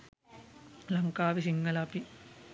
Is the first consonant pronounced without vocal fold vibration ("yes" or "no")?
no